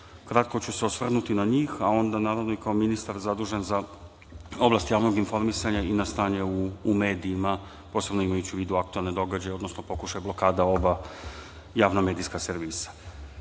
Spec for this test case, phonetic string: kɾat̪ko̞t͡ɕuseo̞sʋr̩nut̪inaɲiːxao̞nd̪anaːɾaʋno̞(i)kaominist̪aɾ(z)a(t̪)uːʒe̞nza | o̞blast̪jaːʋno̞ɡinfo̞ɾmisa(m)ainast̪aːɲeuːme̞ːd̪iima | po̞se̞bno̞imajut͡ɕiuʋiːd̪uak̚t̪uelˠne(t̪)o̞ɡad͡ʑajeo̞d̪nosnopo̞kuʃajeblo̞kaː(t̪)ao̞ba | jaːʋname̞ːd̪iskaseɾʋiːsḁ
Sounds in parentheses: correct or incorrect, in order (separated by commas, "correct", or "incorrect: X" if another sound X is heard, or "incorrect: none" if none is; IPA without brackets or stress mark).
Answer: correct, correct, incorrect: d̪, incorrect: ɲ, incorrect: d̪, incorrect: d̪